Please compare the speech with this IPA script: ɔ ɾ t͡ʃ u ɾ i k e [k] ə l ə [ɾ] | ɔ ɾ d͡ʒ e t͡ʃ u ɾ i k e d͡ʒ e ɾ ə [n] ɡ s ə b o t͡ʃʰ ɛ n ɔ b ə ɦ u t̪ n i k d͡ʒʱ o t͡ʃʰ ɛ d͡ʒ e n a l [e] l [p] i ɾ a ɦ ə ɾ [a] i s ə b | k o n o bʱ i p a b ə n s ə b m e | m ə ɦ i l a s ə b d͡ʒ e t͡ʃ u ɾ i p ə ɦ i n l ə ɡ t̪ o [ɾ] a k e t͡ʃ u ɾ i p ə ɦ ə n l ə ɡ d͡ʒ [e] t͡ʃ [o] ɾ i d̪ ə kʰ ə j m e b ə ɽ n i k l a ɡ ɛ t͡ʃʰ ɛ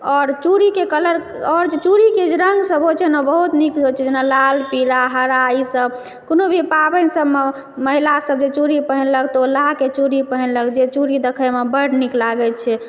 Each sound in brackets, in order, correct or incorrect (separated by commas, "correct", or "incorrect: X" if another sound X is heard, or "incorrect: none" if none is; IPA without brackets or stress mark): correct, correct, incorrect: ŋ, incorrect: a, correct, correct, incorrect: l, correct, incorrect: u